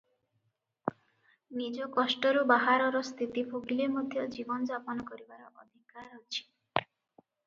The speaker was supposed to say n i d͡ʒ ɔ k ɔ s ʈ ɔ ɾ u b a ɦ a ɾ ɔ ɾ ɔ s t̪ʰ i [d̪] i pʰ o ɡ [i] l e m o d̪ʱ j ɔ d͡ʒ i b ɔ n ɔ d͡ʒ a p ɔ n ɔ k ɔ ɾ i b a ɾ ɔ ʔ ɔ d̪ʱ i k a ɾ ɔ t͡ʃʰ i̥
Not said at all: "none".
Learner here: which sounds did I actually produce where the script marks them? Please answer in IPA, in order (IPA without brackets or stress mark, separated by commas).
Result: t̪, i